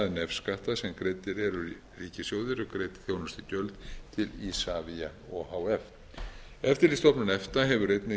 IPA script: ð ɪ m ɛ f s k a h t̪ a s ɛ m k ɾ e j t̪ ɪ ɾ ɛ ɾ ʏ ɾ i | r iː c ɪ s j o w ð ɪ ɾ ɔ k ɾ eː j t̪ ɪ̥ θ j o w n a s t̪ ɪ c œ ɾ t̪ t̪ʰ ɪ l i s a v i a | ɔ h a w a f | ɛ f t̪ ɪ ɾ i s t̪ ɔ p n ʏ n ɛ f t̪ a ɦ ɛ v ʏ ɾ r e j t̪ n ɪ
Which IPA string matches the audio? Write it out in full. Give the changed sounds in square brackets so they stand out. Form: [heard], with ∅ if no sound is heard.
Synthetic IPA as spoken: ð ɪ [n] ɛ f s k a h t̪ a s ɛ m k ɾ e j t̪ ɪ ɾ ɛ ɾ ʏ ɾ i | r iː c ɪ s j o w ð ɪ ɾ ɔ k ɾ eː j t̪ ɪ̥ θ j o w n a s t̪ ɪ c œ [l] t̪ t̪ʰ ɪ l i s a v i a | ɔ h a w [ɛ] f | ɛ f t̪ ɪ ɾ i s t̪ ɔ p n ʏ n ɛ f t̪ a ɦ ɛ v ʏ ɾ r e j t̪ n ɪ